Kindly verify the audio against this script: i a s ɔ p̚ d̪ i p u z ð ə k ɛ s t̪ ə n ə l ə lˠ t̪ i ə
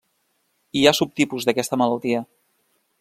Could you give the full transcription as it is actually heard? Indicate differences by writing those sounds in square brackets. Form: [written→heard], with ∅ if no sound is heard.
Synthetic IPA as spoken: i a s [ɔ→u] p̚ [d̪→t̪] i p u z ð ə k ɛ s t̪ ə [n→m] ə l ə lˠ t̪ i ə

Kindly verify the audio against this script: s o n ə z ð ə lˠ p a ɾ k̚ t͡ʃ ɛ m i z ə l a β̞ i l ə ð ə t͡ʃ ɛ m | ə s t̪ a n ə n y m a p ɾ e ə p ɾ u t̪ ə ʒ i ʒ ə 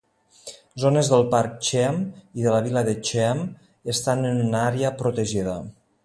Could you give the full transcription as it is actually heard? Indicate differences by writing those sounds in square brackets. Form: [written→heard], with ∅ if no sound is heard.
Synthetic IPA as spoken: [s→z] o n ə z ð ə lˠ p a ɾ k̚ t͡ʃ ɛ m i [z→ð] ə l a β̞ i l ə ð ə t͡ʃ ɛ m | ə s t̪ a n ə n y [m→n] a [p→∅] ɾ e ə p ɾ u t̪ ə ʒ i [ʒ→ð] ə

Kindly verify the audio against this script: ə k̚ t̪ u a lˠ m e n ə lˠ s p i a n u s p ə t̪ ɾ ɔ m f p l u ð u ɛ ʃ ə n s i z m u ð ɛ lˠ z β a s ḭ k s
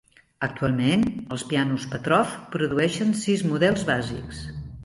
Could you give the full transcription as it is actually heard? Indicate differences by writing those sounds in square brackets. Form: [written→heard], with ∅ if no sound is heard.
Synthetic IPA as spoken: ə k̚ t̪ u a lˠ m e n ə lˠ s p i a n u s p ə t̪ ɾ ɔ [m→∅] f p [l→ɾ] u ð u ɛ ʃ ə n s i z m u ð ɛ lˠ z β a [s→z] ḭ k s

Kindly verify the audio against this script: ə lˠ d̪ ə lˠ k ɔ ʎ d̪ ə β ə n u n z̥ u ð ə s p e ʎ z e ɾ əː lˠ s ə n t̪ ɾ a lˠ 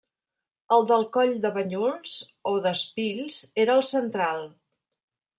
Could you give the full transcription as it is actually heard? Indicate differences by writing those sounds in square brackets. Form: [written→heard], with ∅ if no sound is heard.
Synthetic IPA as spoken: ə lˠ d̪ ə lˠ k ɔ ʎ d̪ ə β ə [n→ɲ] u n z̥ [u→o] ð ə s p [e→i] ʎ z e ɾ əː lˠ s ə n t̪ ɾ a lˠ

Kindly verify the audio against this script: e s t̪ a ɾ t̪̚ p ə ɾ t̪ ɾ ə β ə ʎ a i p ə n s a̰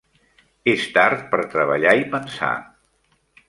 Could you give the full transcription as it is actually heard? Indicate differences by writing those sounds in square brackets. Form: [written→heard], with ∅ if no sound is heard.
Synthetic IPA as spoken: e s t̪ a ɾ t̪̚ p ə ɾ t̪ ɾ ə β ə ʎ a i p ə n s a̰

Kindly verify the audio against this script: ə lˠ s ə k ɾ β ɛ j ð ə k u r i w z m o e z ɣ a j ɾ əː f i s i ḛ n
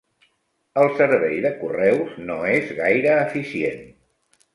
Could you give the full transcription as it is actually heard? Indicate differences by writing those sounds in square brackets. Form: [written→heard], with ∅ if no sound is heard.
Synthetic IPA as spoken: ə lˠ s ə [k→∅] ɾ β ɛ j ð ə k u r [i→ɛ] w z [m→n] o e z ɣ a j ɾ əː f i s i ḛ n

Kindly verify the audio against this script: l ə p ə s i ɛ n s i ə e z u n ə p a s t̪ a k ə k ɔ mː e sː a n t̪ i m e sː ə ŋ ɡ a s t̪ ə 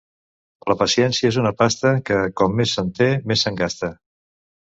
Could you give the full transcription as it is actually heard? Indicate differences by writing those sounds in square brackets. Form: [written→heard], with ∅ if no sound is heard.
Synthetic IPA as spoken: l ə p ə s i ɛ n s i ə e z u n ə p a s t̪ [a→ə] k ə k ɔ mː e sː [a→ə] n t̪ [i→e] m e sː ə ŋ ɡ a s t̪ ə

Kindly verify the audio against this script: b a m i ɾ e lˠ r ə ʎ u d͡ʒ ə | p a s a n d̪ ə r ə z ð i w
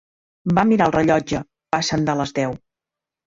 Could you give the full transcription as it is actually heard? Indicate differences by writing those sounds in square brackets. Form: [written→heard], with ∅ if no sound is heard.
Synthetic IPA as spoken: b a m i ɾ [e→a] lˠ r ə ʎ [u→ɔ] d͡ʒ ə | p a s [a→ə] n d̪ ə [r→l] ə z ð [i→ɛ] w

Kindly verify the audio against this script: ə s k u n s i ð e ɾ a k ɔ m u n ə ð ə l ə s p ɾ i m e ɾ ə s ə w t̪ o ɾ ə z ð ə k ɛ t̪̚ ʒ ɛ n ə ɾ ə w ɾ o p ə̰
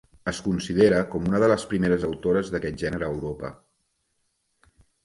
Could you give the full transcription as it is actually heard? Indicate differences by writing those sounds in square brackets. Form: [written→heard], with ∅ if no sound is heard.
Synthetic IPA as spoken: ə s k u n s i ð e ɾ [a→ə] k ɔ m u n ə ð ə l ə s p ɾ i m e ɾ ə [s→z] ə w t̪ o ɾ ə z ð ə k ɛ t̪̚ ʒ ɛ n ə ɾ [ə→əː] w ɾ o p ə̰

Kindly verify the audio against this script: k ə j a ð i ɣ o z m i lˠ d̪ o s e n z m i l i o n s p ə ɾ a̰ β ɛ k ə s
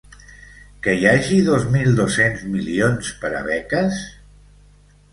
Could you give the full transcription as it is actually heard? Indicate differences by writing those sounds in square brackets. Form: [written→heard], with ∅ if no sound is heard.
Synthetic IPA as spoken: k ə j a [ð→ʒ] i [ɣ→ð] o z m i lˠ d̪ o s e n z m i l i o n s p ə ɾ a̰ β ɛ k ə s

